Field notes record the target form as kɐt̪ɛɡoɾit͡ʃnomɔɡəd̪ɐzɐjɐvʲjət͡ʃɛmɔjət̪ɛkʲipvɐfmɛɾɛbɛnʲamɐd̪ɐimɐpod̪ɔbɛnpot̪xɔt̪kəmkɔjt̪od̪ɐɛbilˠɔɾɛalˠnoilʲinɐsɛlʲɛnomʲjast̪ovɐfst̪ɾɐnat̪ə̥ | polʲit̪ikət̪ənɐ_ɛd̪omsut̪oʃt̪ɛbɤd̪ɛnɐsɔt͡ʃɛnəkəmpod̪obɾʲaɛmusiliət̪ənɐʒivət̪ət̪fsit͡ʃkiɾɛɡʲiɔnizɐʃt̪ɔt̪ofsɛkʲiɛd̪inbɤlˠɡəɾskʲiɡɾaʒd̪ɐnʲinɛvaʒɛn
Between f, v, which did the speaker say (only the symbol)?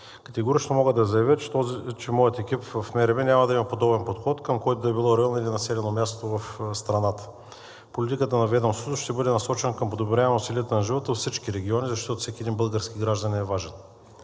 v